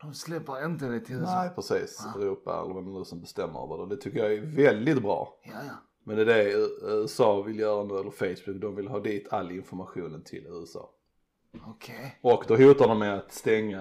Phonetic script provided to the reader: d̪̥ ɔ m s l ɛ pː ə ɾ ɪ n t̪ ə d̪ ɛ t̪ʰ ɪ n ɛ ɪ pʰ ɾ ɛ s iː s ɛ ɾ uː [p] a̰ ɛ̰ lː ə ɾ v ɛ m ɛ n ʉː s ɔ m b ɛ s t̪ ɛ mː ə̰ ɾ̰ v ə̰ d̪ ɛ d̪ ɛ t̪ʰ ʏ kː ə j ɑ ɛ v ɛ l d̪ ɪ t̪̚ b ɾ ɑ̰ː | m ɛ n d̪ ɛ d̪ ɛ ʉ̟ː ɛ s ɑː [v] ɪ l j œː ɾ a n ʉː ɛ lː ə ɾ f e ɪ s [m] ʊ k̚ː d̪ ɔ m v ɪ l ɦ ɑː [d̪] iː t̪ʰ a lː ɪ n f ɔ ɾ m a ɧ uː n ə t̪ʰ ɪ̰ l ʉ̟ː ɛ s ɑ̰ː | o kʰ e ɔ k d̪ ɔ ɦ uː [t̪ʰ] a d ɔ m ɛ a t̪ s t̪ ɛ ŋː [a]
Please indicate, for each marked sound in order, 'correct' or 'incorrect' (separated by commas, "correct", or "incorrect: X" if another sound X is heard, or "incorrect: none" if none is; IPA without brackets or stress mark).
correct, correct, incorrect: b, correct, incorrect: t̪, correct